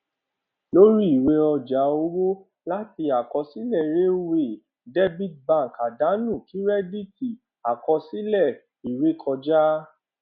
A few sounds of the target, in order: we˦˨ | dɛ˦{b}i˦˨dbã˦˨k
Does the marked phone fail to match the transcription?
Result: no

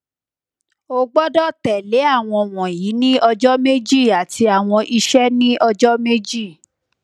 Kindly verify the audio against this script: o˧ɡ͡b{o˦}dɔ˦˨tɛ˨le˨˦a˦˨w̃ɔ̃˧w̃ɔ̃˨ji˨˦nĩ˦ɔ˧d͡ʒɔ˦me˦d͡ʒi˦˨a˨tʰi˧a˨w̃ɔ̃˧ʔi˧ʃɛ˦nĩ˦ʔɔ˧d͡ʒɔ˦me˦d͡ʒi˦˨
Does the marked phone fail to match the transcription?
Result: yes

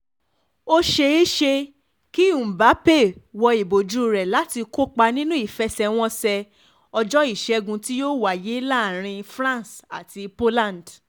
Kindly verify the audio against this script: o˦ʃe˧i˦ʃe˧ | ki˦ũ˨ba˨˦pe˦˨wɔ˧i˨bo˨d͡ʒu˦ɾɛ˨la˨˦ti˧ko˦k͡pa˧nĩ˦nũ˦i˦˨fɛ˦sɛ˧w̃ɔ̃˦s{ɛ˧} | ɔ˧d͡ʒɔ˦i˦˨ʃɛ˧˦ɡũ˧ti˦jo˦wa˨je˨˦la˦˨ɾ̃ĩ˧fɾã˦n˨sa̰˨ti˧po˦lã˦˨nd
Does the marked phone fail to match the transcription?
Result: no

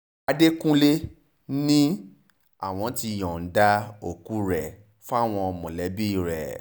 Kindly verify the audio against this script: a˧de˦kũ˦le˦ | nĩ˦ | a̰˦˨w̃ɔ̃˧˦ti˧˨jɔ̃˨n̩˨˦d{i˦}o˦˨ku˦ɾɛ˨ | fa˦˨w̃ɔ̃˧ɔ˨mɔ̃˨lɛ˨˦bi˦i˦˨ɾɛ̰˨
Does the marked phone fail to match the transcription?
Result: yes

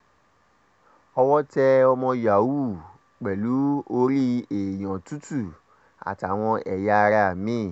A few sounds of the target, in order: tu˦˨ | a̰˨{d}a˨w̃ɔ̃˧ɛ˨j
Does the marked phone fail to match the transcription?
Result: yes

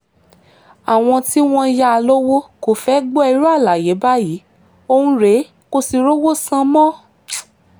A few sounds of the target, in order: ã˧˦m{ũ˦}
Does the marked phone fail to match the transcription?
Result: yes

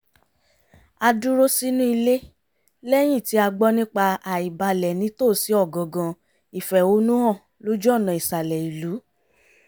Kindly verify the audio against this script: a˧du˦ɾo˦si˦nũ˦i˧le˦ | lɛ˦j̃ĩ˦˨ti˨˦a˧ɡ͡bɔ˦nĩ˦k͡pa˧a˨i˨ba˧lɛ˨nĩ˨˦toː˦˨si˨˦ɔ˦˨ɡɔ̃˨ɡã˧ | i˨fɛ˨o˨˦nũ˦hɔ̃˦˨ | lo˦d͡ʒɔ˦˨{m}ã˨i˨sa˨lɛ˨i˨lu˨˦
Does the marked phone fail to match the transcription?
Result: yes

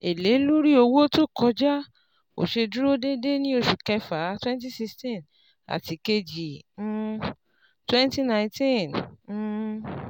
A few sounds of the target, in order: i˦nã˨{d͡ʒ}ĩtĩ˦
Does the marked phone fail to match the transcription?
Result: yes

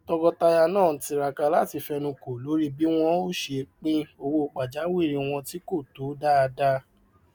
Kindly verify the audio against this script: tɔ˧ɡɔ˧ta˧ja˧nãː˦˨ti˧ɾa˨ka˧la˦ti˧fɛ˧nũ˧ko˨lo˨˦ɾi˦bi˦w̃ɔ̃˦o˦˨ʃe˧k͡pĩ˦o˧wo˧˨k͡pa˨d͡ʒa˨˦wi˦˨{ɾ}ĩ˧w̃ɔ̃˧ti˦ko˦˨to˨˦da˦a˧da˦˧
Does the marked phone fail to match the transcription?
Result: no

